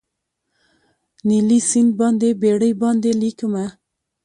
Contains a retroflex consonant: yes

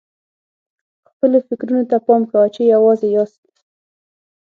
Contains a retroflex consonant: no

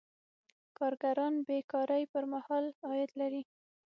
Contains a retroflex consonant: no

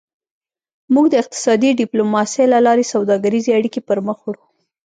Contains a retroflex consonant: yes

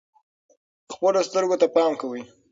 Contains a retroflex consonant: no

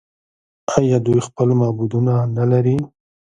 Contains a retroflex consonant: no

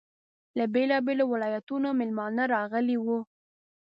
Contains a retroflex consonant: no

